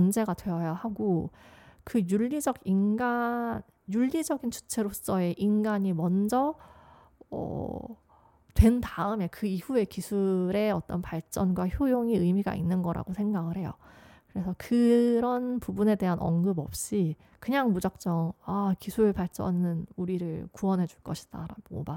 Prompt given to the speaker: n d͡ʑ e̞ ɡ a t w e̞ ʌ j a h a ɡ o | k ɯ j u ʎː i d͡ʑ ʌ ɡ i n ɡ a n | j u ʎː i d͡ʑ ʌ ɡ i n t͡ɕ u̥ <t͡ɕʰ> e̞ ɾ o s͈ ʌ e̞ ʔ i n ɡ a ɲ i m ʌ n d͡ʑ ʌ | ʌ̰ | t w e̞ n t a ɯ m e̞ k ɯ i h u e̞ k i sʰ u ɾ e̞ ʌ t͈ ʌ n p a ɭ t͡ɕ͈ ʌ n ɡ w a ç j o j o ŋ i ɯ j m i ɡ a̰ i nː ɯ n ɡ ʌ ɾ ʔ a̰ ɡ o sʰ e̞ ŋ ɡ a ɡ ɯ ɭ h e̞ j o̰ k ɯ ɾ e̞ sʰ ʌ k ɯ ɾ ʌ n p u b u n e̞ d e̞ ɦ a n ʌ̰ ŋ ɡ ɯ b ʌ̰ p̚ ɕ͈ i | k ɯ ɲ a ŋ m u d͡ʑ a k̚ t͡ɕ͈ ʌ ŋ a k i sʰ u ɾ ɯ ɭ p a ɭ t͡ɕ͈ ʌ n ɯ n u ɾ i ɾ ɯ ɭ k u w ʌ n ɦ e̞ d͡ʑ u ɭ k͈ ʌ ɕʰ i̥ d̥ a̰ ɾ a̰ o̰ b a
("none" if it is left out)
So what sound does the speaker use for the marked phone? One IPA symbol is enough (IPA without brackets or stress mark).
t͡ɕʰ